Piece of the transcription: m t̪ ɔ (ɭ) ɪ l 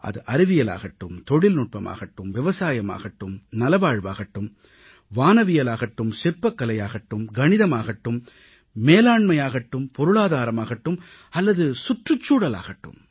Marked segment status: incorrect: ɽ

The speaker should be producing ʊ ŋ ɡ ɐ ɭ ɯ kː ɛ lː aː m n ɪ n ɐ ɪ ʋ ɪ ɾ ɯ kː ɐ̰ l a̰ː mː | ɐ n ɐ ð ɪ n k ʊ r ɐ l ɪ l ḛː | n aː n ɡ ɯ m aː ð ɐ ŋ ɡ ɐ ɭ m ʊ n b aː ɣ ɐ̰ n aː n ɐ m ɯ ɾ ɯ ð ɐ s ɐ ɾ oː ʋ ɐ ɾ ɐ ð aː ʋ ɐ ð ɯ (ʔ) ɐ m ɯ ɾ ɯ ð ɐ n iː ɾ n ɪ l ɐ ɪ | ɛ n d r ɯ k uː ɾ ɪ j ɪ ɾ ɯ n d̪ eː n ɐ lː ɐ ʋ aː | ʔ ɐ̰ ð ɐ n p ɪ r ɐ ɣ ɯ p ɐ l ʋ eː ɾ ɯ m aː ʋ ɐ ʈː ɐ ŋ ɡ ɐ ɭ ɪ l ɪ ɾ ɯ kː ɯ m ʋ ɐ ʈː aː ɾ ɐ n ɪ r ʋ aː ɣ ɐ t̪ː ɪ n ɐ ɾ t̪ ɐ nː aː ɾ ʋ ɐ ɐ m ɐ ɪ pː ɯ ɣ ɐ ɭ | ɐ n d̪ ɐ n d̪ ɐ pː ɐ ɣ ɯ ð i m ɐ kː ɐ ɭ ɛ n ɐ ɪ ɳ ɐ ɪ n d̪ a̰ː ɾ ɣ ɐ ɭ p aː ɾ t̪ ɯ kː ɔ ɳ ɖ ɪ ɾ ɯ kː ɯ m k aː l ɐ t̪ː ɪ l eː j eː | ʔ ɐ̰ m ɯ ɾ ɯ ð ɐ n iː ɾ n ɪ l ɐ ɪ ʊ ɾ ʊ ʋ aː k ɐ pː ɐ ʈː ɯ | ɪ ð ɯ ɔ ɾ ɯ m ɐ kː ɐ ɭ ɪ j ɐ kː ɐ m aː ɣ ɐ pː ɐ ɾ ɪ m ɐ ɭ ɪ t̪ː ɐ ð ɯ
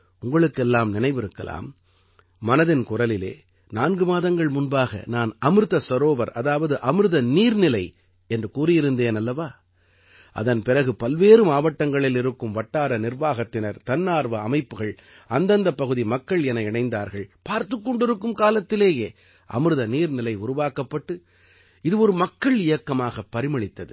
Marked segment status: correct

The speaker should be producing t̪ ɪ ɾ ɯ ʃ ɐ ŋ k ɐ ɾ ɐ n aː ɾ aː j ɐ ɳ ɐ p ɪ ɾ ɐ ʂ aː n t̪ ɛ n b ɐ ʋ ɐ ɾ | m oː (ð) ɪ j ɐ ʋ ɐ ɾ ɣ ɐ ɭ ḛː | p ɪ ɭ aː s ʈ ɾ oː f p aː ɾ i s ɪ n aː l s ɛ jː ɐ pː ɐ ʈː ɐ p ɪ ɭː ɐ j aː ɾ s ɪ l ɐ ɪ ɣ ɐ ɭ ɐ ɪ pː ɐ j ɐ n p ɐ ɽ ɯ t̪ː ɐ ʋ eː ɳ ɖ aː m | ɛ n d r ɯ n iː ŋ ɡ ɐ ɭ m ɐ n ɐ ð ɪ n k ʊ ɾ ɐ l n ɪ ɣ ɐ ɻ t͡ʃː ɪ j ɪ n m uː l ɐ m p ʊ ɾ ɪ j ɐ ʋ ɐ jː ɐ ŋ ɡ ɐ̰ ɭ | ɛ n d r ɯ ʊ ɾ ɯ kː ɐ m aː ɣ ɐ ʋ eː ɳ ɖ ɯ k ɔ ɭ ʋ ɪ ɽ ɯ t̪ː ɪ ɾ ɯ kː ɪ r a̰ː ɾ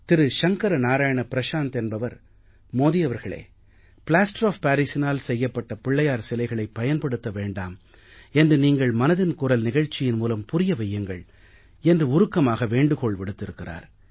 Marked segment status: correct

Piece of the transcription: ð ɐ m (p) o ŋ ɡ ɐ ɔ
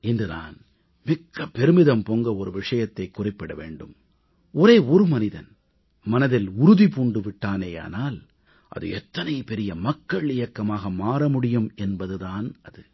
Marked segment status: correct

